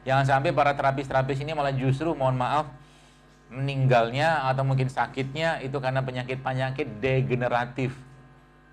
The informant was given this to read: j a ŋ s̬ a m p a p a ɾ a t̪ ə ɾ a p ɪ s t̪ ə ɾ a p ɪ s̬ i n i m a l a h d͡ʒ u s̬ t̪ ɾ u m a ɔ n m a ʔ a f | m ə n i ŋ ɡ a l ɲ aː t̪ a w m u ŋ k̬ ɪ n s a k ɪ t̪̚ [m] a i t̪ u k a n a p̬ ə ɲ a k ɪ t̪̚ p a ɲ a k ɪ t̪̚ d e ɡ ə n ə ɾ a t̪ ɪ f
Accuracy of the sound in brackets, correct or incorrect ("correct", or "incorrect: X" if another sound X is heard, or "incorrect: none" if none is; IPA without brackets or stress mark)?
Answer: incorrect: ɲ